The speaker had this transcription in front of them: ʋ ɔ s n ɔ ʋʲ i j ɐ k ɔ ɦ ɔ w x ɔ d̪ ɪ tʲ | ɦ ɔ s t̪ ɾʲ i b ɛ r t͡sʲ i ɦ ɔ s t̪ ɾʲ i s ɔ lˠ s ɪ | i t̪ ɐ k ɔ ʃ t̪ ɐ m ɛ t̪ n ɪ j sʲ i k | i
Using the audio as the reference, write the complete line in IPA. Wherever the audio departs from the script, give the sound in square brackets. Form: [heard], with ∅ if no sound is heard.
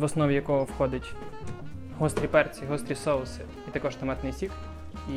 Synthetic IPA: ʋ ɔ s n ɔ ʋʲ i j ɐ k ɔ ɦ ɔ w x ɔ d̪ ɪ tʲ | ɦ ɔ s t̪ ɾʲ i [p] ɛ r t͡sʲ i ɦ ɔ s t̪ ɾʲ i s ɔ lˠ s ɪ | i t̪ ɐ k ɔ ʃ t̪ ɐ m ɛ t̪ n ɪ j sʲ i k | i